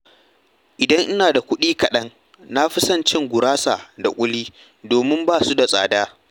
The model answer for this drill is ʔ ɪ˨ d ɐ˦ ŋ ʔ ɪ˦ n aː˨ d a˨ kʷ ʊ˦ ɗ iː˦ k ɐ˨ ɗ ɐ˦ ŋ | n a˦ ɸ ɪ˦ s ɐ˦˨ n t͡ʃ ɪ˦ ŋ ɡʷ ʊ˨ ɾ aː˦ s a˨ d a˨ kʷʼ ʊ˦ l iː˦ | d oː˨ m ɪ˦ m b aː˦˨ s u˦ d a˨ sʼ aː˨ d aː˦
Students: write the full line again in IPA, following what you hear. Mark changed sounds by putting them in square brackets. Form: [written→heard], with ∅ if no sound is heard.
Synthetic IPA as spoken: ʔ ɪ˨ d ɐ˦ ŋ ʔ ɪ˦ n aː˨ d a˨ kʷ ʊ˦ ɗ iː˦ k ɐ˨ ɗ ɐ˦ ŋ | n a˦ ɸ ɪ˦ s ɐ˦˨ n t͡ʃ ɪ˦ ŋ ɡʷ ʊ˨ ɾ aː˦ s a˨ d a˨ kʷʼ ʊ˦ l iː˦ | d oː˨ m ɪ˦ m b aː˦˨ s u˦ d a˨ sʼ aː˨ d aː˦